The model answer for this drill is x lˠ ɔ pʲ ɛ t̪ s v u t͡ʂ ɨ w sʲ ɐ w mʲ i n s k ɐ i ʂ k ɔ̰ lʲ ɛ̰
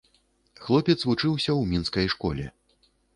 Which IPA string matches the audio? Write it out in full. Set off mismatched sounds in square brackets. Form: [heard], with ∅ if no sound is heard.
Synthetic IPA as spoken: x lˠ ɔ pʲ ɛ t̪ s v u t͡ʂ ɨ w sʲ ɐ w mʲ i n s k ɐ [j] ʂ k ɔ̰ lʲ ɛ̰